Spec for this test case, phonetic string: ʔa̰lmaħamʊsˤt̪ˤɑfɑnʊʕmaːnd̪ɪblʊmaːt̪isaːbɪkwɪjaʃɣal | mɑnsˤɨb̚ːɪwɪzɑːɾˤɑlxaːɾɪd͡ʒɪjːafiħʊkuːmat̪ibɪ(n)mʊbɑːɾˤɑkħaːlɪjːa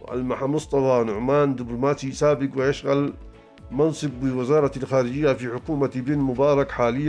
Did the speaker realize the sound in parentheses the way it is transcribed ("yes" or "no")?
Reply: yes